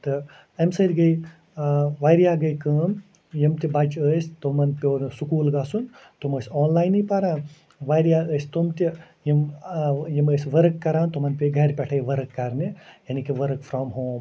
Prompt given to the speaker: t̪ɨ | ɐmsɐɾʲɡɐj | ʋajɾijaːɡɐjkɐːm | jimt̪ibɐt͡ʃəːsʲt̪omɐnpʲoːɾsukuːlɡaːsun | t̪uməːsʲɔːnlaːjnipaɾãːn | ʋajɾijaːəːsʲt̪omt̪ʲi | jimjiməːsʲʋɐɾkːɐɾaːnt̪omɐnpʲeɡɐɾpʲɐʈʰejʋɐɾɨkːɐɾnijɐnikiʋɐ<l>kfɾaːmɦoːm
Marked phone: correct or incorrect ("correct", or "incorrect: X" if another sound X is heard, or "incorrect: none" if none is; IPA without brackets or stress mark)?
incorrect: ɾ